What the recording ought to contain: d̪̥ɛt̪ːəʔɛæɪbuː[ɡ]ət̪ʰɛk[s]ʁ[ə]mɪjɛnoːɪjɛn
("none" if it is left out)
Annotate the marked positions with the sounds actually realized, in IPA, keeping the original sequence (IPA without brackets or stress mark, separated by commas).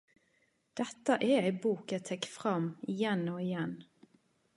k, f, ɑ